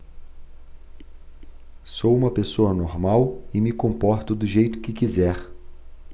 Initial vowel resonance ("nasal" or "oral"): oral